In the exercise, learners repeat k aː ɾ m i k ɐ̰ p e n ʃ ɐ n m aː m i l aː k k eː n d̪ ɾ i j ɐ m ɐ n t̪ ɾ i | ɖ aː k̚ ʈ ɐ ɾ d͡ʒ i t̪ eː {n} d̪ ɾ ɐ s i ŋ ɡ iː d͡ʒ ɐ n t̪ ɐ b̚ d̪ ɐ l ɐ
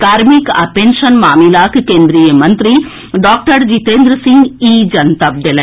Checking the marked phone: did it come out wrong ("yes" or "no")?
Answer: no